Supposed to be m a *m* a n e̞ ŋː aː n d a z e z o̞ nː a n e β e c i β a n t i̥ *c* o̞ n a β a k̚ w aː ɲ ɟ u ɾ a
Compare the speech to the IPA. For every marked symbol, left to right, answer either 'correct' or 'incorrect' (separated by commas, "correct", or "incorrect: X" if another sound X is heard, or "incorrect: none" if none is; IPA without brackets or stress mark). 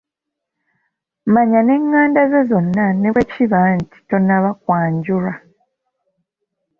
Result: incorrect: ɲ, incorrect: t